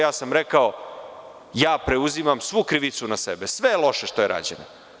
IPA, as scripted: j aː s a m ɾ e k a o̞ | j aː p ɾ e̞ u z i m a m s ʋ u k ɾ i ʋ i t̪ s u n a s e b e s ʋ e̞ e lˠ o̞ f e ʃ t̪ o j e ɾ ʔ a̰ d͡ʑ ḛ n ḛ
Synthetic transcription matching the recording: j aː s a m ɾ e k a o̞ | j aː p ɾ e̞ u z i m a m s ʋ u k ɾ i ʋ i t̪ s u n a s e b e s ʋ e̞ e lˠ o̞ ʃ e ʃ t̪ o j e ɾ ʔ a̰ d͡ʑ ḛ n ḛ